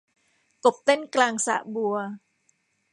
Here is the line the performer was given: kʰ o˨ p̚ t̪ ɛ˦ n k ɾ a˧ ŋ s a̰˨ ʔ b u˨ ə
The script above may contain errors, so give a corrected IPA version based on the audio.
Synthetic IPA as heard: k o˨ p̚ t̪ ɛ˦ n k l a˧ ŋ s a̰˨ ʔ b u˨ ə